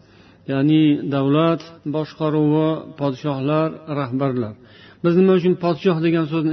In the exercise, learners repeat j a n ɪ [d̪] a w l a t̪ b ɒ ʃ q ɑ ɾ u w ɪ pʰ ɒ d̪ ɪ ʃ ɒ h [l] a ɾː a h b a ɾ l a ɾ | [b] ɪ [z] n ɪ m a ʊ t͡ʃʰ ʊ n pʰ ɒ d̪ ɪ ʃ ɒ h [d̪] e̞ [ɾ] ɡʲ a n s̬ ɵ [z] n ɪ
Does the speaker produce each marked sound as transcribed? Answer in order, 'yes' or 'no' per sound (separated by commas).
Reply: yes, yes, yes, yes, yes, no, yes